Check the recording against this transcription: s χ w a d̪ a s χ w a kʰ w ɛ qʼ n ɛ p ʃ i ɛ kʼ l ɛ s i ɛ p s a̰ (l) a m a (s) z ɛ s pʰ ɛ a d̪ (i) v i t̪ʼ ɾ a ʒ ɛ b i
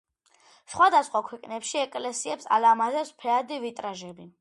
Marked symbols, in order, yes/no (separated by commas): yes, no, yes